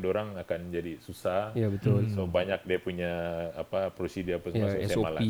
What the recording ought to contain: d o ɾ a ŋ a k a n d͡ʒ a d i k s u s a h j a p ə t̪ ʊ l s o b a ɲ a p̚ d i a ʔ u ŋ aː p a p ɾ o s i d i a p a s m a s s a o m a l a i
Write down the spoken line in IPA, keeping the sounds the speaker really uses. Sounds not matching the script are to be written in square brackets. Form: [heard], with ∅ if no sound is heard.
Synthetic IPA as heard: d o ɾ a ŋ a k a n d͡ʒ a d i [∅] s u s a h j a [b] ə t̪ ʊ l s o b a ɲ a [k̚] d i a [p] u [ɲ] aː p a p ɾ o s i d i a p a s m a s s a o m a l a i